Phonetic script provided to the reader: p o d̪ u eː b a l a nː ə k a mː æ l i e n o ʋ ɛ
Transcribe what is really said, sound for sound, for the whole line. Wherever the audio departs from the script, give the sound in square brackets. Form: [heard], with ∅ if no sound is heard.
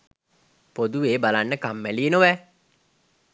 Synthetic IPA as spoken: p o d̪ u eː b a l a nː ə k a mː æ l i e n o ʋ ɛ